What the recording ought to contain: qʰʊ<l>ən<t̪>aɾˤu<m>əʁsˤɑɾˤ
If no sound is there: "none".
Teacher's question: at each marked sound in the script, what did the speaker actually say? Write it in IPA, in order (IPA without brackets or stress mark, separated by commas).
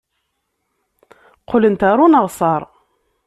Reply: l, t̪, n